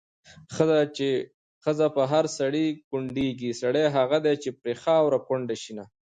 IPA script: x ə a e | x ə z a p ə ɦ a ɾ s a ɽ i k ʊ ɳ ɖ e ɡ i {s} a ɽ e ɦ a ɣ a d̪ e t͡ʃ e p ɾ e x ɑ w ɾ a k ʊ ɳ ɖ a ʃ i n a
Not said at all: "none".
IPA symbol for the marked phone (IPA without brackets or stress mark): s